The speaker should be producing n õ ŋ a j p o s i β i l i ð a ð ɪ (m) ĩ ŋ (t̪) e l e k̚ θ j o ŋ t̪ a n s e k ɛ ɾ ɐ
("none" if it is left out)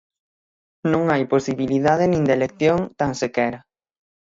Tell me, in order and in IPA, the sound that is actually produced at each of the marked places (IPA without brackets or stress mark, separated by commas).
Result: n, d̪